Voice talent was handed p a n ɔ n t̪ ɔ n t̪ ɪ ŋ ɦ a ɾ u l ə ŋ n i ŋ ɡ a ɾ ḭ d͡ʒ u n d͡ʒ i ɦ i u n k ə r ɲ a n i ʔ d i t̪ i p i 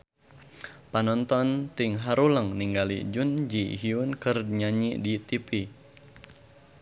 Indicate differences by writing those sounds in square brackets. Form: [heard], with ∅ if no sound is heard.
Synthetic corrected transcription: p a n ɔ n t̪ ɔ n t̪ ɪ ŋ ɦ a ɾ u l ə ŋ n i ŋ ɡ a [l] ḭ d͡ʒ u n d͡ʒ i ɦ i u n k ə r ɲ a [ɲ] i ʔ d i t̪ i p i